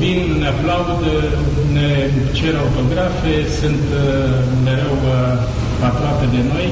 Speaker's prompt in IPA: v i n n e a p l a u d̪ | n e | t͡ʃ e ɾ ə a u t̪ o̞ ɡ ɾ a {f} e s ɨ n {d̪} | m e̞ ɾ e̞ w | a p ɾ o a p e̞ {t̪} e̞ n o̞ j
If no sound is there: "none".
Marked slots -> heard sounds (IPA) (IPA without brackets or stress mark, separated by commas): f, t̪, d̪